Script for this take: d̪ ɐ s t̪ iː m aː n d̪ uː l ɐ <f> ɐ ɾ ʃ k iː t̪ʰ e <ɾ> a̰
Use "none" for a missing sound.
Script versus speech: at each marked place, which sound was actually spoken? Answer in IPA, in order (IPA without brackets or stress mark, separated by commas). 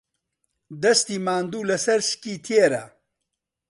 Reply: s, ɾ